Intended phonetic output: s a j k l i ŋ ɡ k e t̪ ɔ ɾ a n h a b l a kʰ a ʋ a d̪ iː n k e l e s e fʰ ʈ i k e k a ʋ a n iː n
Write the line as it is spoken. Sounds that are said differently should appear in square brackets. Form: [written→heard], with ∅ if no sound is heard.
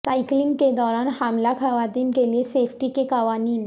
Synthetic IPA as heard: s a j k l i ŋ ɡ k e [t̪→d̪] ɔ ɾ a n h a [b→m] l a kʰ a ʋ a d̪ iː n k e l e s e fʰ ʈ i k e k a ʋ a n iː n